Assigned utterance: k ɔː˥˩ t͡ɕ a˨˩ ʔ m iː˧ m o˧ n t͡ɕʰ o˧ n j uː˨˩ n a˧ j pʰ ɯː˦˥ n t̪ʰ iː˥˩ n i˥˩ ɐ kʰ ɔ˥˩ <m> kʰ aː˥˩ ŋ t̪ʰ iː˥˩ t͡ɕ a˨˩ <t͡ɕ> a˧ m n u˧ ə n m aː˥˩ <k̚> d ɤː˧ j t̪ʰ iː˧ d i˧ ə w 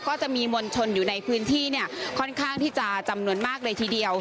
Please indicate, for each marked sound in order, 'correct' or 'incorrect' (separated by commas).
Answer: incorrect, correct, correct